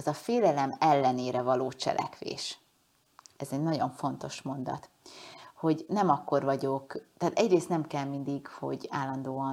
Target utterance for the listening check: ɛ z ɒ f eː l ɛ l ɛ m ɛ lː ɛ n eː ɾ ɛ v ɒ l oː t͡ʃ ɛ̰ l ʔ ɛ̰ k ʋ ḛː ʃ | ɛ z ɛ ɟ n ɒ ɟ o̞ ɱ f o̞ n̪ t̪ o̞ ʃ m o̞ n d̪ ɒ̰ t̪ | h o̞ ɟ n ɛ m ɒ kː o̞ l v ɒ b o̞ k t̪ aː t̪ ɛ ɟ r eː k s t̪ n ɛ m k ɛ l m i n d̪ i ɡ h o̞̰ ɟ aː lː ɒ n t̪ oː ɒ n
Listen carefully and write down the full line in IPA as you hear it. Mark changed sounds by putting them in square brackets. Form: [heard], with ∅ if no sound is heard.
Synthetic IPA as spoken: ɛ z ɒ f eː l ɛ l ɛ m ɛ lː ɛ n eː ɾ ɛ v ɒ l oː t͡ʃ ɛ̰ l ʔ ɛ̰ k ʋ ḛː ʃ | ɛ z ɛ ɟ n ɒ ɟ o̞ ɱ f o̞ n̪ t̪ o̞ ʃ m o̞ n d̪ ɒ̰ t̪ | h o̞ ɟ n ɛ m ɒ kː o̞ [r] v ɒ [ɟ] o̞ k t̪ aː t̪ ɛ ɟ r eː [∅] s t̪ n ɛ m k ɛ l m i n d̪ i ɡ h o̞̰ ɟ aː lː ɒ n [d̪] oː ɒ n